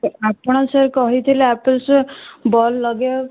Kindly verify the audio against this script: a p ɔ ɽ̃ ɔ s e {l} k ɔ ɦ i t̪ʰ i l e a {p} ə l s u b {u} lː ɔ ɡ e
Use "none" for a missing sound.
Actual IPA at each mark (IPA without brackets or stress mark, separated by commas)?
ɾ, p, ɔ